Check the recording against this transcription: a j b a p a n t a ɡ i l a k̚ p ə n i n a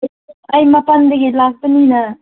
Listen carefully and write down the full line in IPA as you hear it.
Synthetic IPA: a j m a p a n d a ɡ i l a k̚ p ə n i n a